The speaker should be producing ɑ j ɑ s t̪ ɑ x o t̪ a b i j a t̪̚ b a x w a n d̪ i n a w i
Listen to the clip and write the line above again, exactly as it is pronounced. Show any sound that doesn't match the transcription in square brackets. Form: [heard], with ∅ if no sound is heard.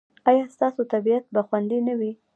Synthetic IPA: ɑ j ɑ s t̪ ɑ [s] o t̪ a b i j a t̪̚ b a x w a n d̪ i n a w i